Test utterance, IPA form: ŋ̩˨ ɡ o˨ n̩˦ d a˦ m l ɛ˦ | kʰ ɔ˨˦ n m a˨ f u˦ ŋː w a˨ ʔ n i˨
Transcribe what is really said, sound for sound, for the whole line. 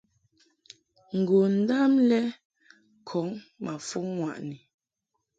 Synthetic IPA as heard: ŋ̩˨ ɡ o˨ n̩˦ d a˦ m l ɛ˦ | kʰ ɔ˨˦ ŋ m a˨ f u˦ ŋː w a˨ ʔ n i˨